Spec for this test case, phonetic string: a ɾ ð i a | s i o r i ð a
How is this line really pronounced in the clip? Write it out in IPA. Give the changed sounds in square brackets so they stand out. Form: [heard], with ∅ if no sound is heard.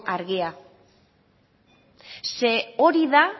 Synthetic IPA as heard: a ɾ [ɣ] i a | s [e] o [ɾ] i ð a